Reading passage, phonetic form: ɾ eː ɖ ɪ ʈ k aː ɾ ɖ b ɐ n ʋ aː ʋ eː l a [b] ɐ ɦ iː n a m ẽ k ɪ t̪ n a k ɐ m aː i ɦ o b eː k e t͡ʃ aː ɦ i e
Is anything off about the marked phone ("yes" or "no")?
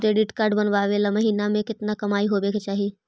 yes